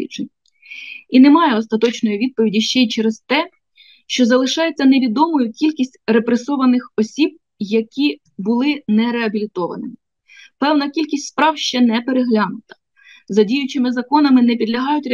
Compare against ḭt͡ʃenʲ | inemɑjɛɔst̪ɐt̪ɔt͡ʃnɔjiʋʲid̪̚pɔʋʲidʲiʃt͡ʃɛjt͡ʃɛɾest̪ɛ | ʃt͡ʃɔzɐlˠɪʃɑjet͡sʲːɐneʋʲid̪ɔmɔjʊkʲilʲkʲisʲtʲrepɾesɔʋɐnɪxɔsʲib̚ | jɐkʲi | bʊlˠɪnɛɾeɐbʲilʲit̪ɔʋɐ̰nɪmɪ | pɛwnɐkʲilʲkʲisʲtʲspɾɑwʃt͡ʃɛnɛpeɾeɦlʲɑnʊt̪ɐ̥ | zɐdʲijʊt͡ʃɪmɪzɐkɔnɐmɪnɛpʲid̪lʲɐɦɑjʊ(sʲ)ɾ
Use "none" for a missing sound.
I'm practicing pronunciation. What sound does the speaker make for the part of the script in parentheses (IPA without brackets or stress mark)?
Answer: tʲ